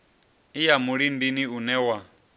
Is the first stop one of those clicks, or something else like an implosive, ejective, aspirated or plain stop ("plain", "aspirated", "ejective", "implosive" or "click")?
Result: plain